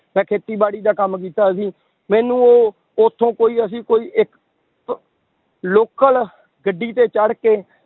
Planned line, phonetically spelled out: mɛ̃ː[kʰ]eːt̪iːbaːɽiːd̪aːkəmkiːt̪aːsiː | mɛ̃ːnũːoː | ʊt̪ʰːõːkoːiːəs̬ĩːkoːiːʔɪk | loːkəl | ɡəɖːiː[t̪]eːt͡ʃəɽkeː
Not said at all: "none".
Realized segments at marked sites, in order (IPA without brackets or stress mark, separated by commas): kʰ, t̪